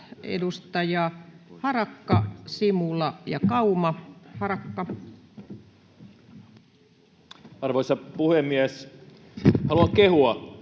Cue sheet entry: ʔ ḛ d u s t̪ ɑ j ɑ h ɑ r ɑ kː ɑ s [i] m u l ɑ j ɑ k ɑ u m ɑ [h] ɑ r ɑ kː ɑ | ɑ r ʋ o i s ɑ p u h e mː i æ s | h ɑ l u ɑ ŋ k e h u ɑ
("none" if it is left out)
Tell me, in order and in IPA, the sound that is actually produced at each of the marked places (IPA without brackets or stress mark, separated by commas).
i, h